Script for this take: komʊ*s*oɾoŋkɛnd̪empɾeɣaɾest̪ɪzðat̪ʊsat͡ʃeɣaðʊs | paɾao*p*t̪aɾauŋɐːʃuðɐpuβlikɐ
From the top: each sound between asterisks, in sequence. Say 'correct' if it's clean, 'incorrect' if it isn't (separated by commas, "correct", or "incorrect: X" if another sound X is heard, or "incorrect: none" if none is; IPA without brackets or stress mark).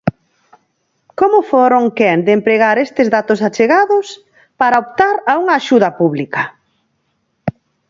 incorrect: f, correct